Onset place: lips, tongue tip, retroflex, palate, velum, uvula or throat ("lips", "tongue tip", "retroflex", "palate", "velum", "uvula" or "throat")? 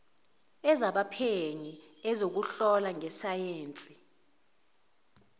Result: tongue tip